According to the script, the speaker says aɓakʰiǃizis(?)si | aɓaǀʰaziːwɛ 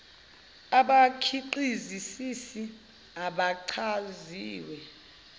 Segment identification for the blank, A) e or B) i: B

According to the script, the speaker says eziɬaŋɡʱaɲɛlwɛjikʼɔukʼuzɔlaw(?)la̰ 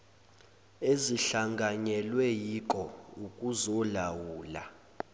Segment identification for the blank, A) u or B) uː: B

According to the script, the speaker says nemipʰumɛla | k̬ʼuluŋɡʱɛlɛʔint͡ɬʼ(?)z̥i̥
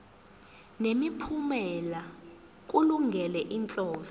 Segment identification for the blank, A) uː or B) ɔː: B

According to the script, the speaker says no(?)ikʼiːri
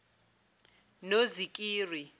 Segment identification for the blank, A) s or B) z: B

